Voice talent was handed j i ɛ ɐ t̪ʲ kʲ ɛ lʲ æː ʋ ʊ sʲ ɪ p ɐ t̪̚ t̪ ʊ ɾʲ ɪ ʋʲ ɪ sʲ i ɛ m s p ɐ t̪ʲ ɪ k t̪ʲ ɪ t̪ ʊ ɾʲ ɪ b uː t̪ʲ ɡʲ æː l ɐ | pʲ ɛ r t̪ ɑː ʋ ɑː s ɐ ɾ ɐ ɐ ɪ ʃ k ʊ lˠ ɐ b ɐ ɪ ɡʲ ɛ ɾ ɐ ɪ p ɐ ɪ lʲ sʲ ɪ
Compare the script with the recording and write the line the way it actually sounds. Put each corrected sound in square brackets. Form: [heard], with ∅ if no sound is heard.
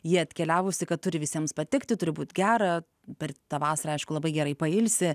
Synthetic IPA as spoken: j i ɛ ɐ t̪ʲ kʲ ɛ lʲ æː ʋ ʊ sʲ ɪ [k] ɐ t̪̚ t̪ ʊ ɾʲ ɪ ʋʲ ɪ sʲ i ɛ m s p ɐ t̪ʲ ɪ k t̪ʲ ɪ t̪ ʊ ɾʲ ɪ b uː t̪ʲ ɡʲ æː [ɾ] ɐ | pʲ ɛ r t̪ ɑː ʋ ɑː s ɐ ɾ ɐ ɐ ɪ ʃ k ʊ lˠ ɐ b ɐ ɪ ɡʲ ɛ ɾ ɐ ɪ p ɐ ɪ lʲ sʲ ɪ

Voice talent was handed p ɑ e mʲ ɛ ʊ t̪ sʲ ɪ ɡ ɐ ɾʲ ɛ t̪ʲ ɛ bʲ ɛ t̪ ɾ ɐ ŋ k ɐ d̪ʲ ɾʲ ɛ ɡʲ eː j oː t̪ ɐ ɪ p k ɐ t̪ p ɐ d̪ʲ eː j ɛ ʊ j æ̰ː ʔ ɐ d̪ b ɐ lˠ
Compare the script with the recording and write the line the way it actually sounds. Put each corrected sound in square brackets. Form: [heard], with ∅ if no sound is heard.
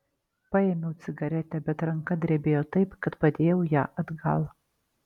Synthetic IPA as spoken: p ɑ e mʲ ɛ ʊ t̪ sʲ ɪ ɡ ɐ ɾʲ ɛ t̪ʲ ɛ bʲ ɛ t̪ ɾ ɐ ŋ k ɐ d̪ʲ ɾʲ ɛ [bʲ] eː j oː t̪ ɐ ɪ p k ɐ t̪ p ɐ d̪ʲ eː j ɛ ʊ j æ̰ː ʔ ɐ d̪ [ɡ] ɐ lˠ

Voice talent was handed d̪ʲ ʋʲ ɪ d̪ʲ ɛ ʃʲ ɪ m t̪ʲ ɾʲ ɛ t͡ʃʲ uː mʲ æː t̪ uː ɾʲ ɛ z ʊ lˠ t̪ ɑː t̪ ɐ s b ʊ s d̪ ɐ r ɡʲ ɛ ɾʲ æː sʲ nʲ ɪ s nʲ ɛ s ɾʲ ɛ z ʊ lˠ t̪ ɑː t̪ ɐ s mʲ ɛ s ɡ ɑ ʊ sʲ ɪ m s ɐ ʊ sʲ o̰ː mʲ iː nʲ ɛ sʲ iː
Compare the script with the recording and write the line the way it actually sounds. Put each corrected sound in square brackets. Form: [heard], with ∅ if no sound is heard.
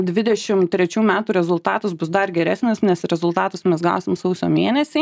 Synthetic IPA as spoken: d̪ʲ ʋʲ ɪ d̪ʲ ɛ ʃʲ ɪ m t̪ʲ ɾʲ ɛ t͡ʃʲ uː mʲ æː t̪ uː ɾʲ ɛ z ʊ lˠ t̪ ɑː t̪ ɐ s b ʊ s d̪ ɐ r ɡʲ ɛ ɾʲ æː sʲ nʲ ɪ s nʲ ɛ s ɾʲ ɛ z ʊ lˠ t̪ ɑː t̪ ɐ s mʲ ɛ s ɡ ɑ ʊ sʲ ɪ m s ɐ ʊ sʲ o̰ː mʲ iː nʲ ɛ sʲ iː

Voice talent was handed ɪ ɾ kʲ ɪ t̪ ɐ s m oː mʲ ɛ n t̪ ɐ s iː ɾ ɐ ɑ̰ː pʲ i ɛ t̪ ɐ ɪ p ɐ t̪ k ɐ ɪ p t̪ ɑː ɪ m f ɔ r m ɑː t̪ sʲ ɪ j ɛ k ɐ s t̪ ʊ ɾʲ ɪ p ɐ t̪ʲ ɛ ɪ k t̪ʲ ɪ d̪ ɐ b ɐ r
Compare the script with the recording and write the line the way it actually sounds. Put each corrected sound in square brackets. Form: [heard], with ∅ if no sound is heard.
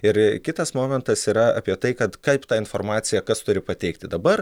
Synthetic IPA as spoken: ɪ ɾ kʲ ɪ t̪ ɐ s m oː mʲ ɛ n t̪ ɐ s iː ɾ ɐ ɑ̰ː pʲ i ɛ t̪ ɐ ɪ [k] ɐ t̪ k ɐ ɪ p t̪ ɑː ɪ [n] f [o] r m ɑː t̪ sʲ ɪ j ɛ k ɐ s t̪ ʊ ɾʲ ɪ p ɐ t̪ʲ ɛ ɪ k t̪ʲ ɪ d̪ ɐ b ɐ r

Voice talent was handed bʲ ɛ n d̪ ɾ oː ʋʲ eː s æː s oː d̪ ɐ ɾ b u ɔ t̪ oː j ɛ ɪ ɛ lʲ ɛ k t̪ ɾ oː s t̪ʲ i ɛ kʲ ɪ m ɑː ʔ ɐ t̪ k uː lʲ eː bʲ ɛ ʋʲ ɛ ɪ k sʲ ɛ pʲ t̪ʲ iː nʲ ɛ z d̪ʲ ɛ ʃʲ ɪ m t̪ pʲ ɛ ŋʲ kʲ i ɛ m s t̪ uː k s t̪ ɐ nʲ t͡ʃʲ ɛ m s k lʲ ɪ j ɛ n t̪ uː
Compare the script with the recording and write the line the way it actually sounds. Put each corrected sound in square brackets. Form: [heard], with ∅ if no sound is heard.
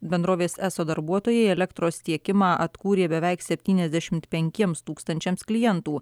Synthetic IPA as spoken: bʲ ɛ n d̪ ɾ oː ʋʲ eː s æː s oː d̪ ɐ ɾ b u ɔ t̪ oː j ɛ ɪ ɛ lʲ ɛ k t̪ ɾ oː s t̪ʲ i ɛ kʲ ɪ m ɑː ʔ ɐ t̪ k uː [ɾʲ] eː bʲ ɛ ʋʲ ɛ ɪ k sʲ ɛ pʲ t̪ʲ iː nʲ ɛ z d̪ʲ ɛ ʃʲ ɪ m t̪ pʲ ɛ ŋʲ kʲ i ɛ m s t̪ uː k s t̪ ɐ nʲ t͡ʃʲ ɛ m s k lʲ ɪ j ɛ n t̪ uː

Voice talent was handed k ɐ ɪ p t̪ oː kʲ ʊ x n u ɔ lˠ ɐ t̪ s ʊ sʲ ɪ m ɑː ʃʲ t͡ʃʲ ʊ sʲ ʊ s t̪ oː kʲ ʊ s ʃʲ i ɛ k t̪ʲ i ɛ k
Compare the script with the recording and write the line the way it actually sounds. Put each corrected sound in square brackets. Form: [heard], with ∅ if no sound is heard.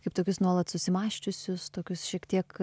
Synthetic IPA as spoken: k ɐ ɪ p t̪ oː kʲ ʊ [s] n u ɔ lˠ ɐ t̪ s ʊ sʲ ɪ m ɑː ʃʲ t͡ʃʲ ʊ sʲ ʊ s t̪ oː kʲ ʊ s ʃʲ i ɛ k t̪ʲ i ɛ k

